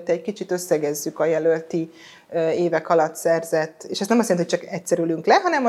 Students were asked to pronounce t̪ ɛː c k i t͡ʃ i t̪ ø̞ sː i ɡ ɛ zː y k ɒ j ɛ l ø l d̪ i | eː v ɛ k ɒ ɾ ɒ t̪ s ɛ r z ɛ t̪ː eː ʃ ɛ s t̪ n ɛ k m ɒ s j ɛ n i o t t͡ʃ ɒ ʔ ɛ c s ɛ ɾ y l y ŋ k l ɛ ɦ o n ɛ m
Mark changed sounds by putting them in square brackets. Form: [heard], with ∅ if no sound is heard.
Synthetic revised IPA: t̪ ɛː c k i t͡ʃ i t̪ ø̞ sː [ɛ] ɡ ɛ zː y k ɒ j ɛ l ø l [t̪] i | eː v ɛ k ɒ [l] ɒ t̪ s ɛ r z ɛ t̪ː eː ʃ ɛ s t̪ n ɛ [∅] m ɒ s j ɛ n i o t t͡ʃ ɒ [k] ɛ c s ɛ ɾ y l y ŋ k l ɛ ɦ [ɒ] n ɛ m